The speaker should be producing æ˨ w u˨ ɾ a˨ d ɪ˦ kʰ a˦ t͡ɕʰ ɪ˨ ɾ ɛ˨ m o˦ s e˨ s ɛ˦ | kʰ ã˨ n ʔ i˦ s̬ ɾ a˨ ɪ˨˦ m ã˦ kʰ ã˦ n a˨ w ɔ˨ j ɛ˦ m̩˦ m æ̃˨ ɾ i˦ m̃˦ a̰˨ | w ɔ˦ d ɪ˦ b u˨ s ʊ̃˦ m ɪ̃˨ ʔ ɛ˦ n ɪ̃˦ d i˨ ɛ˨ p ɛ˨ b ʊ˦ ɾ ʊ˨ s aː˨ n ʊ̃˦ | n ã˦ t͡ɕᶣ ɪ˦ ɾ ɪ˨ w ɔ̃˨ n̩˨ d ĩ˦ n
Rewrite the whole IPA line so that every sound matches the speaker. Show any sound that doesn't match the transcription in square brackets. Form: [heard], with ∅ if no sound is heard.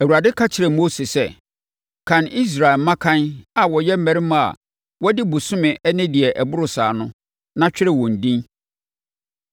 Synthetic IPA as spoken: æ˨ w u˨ ɾ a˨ d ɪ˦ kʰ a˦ t͡ɕʰ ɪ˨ ɾ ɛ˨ m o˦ s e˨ s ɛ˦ | kʰ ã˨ n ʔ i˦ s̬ ɾ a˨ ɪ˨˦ m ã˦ kʰ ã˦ n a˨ w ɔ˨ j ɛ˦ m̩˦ m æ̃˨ ɾ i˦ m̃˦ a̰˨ | w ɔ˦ d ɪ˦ b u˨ s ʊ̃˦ m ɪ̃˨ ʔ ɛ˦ n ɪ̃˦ d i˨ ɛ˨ [ʔ] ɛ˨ b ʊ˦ ɾ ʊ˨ s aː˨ n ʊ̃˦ | n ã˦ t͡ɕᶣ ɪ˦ ɾ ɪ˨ w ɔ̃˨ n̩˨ d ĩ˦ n

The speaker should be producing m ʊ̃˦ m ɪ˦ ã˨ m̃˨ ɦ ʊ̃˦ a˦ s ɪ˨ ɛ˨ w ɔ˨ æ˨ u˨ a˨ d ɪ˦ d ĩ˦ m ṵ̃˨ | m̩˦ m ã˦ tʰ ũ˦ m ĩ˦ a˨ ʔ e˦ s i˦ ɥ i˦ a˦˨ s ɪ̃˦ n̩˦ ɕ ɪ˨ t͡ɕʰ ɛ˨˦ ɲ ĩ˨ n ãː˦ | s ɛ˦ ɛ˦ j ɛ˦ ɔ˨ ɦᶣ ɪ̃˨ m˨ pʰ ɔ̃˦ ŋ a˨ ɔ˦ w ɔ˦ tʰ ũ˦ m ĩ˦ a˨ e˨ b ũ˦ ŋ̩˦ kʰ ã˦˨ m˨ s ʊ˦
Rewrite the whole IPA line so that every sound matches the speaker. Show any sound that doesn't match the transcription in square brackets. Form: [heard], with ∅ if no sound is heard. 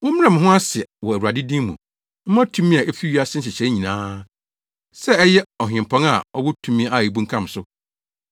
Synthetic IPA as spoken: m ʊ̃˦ m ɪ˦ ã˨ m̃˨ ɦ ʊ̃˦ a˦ s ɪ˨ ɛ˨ w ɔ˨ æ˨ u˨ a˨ d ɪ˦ d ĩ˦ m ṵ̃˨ | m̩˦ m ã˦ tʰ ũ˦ m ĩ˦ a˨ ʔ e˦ [f] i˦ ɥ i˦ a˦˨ s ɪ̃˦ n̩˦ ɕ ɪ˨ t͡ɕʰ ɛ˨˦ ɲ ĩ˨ n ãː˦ | s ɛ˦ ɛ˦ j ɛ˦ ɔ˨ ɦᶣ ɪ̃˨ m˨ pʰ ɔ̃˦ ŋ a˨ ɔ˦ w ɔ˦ tʰ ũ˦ m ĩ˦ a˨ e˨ b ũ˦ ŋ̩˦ kʰ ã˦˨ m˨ s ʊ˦

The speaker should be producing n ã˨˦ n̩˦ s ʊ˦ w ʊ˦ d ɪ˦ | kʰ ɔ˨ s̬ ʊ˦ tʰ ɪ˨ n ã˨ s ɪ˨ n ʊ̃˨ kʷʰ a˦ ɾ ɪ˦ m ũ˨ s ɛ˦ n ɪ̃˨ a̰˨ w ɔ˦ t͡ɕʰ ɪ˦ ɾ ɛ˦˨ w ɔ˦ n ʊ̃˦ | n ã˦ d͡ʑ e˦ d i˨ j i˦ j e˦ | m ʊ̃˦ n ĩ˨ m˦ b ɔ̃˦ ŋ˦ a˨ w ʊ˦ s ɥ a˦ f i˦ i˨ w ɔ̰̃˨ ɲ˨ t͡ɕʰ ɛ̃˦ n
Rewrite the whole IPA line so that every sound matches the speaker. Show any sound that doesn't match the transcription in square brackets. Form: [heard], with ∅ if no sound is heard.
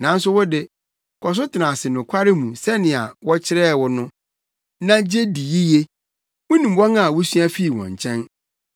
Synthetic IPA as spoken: n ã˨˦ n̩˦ s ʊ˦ w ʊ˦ d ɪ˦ | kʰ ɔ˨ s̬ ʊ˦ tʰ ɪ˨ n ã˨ s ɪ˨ n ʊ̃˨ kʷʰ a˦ ɾ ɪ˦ m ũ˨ s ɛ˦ n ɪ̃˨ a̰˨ w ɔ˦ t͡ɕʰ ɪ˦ ɾ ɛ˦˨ w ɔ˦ n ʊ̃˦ | n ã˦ d͡ʑ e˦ d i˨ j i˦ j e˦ | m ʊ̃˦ n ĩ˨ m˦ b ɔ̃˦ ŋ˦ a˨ w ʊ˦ s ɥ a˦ f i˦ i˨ w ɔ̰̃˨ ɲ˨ t͡ɕʰ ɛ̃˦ n

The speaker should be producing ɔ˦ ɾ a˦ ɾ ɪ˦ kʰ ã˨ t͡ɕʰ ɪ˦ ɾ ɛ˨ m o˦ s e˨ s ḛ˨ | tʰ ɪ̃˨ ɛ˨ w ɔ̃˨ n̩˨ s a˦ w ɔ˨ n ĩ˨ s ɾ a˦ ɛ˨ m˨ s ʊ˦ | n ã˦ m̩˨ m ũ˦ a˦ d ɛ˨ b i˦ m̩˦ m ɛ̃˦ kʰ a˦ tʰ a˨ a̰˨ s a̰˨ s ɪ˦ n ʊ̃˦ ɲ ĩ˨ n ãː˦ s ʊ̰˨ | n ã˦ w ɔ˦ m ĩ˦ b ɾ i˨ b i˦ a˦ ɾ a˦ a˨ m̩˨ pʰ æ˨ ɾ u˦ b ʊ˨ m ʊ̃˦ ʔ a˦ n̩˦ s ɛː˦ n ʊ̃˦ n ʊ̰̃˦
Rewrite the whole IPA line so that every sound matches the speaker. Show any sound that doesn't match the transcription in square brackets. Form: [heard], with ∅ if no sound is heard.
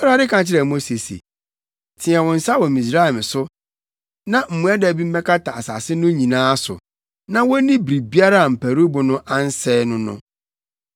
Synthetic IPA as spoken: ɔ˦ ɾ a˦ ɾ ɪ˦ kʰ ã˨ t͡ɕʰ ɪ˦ ɾ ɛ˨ m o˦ s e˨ s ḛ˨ | tʰ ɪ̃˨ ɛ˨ w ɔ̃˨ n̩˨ s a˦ w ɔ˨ [m] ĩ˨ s ɾ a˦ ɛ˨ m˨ s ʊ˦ | n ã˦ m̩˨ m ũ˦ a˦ d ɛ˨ b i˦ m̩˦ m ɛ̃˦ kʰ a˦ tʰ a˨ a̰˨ s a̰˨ s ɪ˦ n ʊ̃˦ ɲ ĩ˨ n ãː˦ s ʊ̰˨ | n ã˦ w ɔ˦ [n] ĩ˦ b ɾ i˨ b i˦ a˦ ɾ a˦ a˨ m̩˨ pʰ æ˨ ɾ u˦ b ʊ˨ [n] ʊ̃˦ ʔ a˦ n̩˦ s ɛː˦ n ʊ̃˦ n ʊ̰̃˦

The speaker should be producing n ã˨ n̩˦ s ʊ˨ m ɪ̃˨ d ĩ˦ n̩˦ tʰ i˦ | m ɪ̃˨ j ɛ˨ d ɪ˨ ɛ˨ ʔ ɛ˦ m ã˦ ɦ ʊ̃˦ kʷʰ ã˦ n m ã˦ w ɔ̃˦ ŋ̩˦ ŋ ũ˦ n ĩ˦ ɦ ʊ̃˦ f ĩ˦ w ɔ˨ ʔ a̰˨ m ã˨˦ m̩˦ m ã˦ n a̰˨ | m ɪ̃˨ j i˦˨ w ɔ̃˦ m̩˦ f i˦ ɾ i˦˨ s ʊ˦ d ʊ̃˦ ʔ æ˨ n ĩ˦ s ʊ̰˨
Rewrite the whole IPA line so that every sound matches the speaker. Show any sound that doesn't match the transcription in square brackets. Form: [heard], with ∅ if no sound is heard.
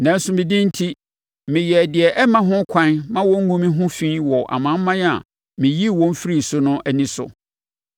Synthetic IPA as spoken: n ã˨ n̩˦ s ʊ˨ m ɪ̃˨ d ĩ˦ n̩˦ tʰ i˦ | m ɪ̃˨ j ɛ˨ d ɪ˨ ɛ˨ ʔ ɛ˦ m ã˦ ɦ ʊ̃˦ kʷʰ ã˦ n m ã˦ w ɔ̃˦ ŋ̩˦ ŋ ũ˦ [m] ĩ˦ ɦ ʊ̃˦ f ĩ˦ w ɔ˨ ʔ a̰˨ m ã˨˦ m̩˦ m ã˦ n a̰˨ | m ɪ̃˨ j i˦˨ w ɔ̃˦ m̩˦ f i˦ ɾ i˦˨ s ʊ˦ [n] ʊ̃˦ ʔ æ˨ n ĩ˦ s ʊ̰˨

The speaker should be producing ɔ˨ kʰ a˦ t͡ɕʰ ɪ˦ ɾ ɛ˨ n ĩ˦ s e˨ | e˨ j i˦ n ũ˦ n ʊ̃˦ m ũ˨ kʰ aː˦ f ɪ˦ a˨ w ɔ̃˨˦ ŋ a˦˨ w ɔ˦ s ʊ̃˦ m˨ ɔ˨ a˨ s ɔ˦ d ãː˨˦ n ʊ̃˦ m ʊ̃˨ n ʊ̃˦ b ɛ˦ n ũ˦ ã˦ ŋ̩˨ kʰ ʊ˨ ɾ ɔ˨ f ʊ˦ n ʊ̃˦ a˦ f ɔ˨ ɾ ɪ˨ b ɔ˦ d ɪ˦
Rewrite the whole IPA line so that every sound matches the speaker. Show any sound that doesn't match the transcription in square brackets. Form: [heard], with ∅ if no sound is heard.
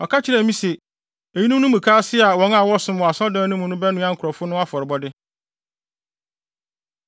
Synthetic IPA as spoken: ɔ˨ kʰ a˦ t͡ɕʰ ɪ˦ ɾ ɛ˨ [m] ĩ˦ s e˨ | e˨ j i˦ n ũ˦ n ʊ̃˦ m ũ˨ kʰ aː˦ [s] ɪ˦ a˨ w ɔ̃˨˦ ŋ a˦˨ w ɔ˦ s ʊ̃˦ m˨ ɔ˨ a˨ s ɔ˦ d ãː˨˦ n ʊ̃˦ m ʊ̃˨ n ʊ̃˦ b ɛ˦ n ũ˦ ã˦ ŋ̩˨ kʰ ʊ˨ ɾ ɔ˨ f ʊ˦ n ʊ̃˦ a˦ f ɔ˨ ɾ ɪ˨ b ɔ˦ d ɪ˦

